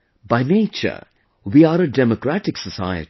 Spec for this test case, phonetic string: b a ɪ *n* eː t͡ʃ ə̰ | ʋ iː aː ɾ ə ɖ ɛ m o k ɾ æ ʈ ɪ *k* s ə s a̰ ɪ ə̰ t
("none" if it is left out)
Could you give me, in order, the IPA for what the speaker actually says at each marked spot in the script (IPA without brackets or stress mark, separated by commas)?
n, k